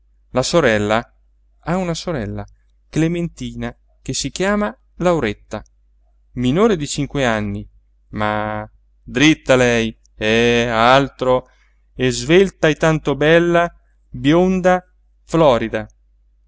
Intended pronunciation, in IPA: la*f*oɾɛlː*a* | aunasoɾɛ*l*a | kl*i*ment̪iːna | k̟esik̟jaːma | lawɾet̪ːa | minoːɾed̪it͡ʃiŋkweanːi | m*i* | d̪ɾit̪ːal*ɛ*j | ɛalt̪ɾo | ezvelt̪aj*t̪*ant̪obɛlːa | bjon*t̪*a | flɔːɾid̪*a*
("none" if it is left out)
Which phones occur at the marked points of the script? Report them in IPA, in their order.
s, a, lː, e, a, ɛ, t̪, d̪, a

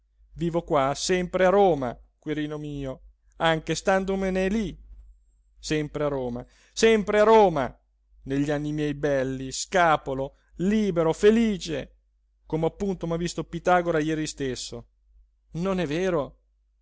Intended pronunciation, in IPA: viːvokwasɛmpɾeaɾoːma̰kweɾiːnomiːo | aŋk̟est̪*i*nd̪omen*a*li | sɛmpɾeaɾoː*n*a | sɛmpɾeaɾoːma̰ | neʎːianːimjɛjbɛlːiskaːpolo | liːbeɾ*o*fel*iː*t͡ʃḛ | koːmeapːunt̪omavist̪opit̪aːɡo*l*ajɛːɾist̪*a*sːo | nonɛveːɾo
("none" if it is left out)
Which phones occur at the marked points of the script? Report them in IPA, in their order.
a, e, m, o, iː, ɾ, e

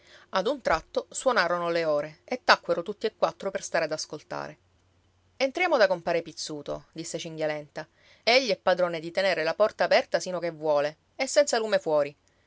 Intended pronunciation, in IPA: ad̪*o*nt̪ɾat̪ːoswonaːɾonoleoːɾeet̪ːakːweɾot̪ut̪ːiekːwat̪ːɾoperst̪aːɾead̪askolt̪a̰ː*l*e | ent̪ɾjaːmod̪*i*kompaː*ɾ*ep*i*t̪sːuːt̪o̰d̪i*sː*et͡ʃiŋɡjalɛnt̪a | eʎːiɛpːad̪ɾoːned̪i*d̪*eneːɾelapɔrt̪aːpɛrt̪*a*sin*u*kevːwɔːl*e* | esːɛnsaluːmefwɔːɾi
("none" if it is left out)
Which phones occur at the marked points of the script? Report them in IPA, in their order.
u, ɾ, a, ɾ, i, sː, t̪, a, o, e

